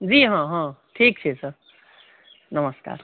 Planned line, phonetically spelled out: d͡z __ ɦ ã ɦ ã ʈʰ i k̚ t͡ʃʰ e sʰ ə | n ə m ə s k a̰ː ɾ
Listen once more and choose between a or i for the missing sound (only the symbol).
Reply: i